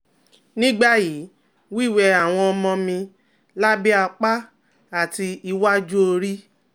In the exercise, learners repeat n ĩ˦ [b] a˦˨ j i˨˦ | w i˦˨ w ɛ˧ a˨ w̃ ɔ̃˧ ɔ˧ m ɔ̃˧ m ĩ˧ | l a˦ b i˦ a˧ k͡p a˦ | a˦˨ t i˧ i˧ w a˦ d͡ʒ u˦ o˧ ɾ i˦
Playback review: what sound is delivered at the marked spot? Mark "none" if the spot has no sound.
ɡ͡b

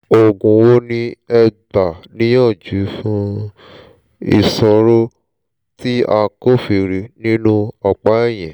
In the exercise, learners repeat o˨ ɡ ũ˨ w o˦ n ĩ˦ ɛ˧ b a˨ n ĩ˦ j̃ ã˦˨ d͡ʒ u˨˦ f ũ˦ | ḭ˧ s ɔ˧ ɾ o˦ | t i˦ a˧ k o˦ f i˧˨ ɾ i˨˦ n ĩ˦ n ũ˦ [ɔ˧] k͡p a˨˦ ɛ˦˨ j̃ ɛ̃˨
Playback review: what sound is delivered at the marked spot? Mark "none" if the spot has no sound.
ɔ˧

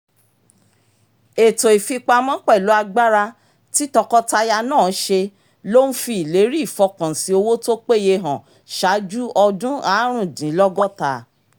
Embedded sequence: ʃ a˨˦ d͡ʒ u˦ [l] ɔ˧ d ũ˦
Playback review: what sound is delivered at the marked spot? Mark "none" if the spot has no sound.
none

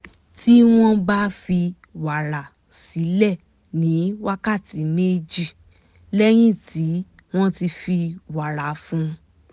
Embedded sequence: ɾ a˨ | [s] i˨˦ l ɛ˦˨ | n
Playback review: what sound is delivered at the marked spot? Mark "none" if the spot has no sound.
s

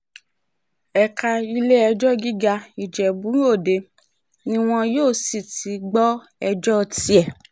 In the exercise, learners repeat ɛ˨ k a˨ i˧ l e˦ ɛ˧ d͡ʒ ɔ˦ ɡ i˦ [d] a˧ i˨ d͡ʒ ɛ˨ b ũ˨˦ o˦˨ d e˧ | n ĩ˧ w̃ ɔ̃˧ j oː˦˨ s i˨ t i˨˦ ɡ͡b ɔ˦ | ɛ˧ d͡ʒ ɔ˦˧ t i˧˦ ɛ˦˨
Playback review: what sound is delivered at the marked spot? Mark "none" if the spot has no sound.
ɡ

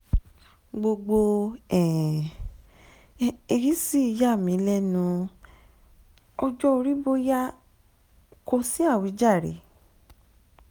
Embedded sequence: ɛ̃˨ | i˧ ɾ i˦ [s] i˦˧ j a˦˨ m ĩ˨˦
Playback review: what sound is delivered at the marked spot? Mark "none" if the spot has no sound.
s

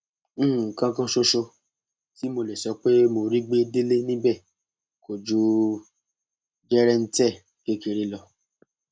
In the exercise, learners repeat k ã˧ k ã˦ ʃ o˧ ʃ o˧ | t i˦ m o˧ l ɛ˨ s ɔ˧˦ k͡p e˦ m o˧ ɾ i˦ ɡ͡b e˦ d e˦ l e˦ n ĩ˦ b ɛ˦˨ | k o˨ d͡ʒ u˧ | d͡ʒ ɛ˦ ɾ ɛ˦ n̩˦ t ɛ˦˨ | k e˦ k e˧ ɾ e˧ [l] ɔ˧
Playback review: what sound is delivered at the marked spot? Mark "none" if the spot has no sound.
l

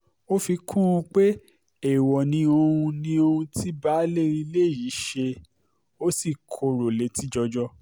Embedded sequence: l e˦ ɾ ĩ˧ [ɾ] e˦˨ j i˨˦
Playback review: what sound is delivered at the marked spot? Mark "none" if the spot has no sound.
l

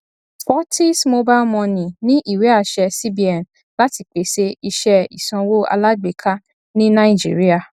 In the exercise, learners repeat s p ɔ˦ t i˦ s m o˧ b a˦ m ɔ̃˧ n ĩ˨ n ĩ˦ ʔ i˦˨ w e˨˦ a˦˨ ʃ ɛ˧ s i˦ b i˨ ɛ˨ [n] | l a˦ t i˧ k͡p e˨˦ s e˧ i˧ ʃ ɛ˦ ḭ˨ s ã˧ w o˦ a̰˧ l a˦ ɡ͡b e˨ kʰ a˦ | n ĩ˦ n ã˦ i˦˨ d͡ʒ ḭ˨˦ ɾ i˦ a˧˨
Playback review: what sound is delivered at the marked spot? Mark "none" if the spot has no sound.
n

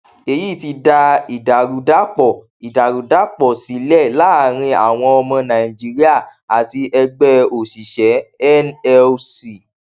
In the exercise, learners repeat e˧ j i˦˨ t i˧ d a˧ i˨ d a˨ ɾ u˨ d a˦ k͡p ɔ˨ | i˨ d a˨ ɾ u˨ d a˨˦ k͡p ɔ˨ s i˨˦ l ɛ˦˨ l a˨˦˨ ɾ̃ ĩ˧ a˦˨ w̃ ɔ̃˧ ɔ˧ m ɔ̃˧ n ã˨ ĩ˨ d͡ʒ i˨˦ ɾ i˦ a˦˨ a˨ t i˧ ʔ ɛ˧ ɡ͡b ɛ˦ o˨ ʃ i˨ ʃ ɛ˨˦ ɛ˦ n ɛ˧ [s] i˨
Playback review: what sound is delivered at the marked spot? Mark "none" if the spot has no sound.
s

